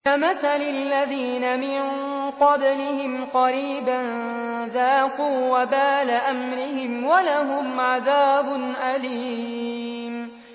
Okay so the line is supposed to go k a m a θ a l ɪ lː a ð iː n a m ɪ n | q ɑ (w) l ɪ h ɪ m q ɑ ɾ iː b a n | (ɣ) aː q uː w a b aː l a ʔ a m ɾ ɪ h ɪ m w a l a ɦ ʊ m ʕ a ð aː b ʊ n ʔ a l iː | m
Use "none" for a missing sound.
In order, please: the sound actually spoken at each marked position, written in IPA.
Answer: b, ð

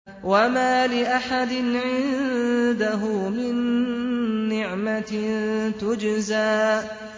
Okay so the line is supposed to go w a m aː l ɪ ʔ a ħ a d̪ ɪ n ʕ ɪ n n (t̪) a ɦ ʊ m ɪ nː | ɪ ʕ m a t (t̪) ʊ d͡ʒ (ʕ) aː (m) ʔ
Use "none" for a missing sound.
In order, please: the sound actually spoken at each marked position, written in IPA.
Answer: d̪, t̪, z, none

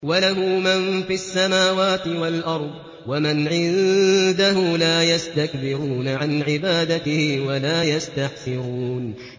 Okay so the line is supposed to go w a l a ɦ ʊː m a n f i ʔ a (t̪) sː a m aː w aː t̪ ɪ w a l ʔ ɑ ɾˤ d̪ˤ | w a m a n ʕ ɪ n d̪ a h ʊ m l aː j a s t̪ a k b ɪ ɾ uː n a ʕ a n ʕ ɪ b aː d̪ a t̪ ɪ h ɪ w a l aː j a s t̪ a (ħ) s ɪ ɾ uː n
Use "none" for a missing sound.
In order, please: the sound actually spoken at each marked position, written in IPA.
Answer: none, ħ

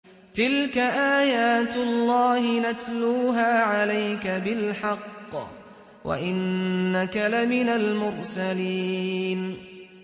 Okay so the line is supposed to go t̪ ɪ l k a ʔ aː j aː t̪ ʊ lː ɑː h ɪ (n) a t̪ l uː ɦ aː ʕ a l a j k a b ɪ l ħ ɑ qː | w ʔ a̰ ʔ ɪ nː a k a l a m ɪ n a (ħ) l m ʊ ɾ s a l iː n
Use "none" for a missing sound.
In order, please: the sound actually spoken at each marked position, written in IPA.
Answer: n, none

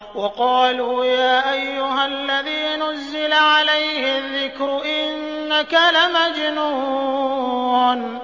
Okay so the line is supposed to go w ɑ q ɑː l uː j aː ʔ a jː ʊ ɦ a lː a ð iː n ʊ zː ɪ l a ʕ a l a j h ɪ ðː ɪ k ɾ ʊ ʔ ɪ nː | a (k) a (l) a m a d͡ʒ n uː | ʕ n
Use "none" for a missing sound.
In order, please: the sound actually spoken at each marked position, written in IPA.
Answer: k, l

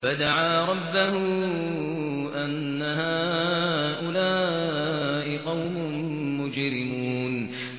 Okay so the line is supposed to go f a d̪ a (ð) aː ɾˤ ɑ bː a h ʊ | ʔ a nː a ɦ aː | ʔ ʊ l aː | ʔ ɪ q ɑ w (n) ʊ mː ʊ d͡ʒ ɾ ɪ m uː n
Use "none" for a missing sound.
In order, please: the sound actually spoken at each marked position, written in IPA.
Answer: ʕ, m

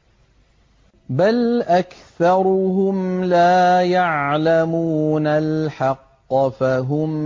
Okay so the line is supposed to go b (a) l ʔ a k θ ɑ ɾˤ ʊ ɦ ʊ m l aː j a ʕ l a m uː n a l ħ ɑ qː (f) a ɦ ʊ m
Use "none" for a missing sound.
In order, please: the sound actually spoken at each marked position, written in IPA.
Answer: a, f

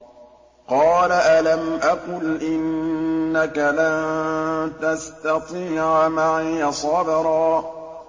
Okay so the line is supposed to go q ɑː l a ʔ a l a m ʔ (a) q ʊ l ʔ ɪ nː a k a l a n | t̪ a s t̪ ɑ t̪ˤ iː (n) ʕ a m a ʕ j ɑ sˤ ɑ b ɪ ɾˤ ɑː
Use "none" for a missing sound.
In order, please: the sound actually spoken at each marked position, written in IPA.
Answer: a, none

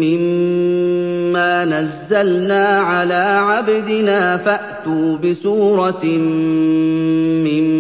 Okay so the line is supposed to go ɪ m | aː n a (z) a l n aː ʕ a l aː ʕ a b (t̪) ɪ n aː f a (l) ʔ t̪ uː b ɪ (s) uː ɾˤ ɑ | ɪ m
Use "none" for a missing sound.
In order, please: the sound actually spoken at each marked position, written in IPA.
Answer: zː, d̪, none, s

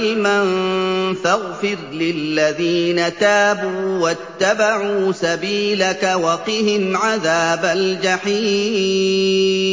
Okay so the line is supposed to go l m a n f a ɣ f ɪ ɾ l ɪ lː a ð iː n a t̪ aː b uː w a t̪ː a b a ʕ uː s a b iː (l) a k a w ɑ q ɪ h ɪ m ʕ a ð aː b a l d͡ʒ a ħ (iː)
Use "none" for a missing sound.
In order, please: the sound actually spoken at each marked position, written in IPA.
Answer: l, iː

